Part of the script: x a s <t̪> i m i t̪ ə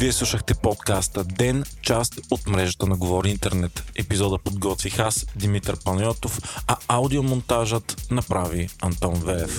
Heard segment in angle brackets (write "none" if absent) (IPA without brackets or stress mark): d̪